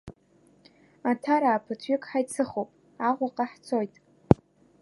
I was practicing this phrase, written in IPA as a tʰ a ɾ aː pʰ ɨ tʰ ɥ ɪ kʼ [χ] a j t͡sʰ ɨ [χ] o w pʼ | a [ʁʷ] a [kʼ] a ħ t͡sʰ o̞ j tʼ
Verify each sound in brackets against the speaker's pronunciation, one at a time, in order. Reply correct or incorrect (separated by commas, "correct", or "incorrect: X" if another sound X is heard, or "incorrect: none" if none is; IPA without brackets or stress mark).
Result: incorrect: ħ, correct, correct, incorrect: qʼ